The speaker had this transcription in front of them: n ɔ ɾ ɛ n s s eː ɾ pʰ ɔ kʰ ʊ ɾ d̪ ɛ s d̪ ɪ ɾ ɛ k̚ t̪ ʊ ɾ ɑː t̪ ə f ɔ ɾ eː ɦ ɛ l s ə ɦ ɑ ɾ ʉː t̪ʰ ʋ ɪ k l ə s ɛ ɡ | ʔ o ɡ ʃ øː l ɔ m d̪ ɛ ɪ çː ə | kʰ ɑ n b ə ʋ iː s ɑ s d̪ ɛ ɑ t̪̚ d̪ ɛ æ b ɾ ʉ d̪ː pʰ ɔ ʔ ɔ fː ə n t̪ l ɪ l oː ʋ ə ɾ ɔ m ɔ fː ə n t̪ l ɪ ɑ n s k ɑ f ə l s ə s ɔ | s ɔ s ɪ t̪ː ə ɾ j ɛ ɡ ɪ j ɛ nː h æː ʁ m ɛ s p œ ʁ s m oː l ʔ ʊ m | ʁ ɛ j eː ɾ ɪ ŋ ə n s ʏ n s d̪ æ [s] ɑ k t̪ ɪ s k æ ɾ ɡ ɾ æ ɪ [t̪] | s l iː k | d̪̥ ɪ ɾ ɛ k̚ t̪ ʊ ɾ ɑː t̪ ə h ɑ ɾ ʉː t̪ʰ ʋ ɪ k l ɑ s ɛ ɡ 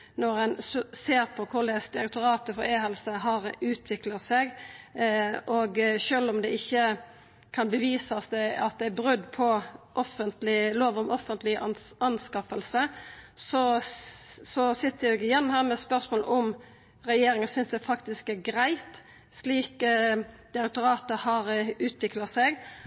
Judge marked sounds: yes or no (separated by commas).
no, yes